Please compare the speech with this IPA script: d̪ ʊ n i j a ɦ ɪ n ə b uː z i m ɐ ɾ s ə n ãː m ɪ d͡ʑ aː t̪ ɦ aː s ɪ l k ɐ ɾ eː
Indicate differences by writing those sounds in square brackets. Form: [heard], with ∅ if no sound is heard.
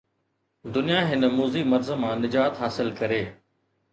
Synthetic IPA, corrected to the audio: d̪ ʊ n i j a ɦ ɪ n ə [m] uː z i m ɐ ɾ [z] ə [m] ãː [n] ɪ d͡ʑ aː t̪ ɦ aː s ɪ l k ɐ ɾ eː